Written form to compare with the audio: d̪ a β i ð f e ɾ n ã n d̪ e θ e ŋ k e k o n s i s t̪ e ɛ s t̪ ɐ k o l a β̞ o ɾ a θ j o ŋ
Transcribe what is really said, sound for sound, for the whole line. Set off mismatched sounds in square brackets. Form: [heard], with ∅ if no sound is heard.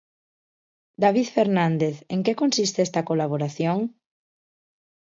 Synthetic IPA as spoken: d̪ a β i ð f e ɾ n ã n d̪ e θ e ŋ k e k o n s i s t̪ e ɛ s t̪ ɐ k o l a β̞ o ɾ a θ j o ŋ